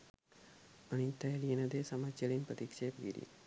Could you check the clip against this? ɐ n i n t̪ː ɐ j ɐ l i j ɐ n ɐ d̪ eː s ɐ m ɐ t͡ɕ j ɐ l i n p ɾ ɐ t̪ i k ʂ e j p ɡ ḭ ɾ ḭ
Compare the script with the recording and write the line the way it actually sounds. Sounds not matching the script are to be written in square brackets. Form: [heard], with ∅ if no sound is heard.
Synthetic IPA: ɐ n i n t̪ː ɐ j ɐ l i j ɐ n ɐ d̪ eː s ɐ m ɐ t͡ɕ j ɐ l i n p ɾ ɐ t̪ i k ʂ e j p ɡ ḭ ɾ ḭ